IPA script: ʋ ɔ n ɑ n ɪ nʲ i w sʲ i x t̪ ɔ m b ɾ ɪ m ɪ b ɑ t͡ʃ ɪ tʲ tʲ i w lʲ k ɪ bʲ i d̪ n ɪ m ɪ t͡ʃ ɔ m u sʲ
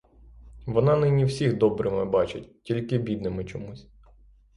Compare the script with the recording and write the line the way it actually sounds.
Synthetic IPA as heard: ʋ ɔ n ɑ n ɪ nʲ i w sʲ i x d̪ ɔ b ɾ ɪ m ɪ b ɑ t͡ʃ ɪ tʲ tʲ i lʲ k ɪ bʲ i d̪ n ɪ m ɪ t͡ʃ ɔ m u sʲ